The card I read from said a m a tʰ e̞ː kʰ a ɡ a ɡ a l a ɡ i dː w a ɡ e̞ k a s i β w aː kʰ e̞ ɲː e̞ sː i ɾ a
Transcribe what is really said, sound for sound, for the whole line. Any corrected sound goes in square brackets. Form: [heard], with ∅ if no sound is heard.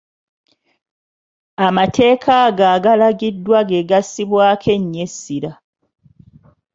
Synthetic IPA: a m a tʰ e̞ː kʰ a ɡ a ɡ a l a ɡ i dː w a ɡ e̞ [ɡ] a s i β w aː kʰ e̞ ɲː e̞ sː i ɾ a